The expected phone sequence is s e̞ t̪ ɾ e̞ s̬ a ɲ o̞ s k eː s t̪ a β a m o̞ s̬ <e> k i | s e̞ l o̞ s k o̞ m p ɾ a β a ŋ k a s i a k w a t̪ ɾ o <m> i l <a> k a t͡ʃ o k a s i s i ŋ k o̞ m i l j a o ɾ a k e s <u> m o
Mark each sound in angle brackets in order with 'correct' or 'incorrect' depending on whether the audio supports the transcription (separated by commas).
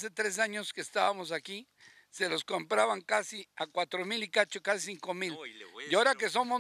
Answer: incorrect, correct, incorrect, incorrect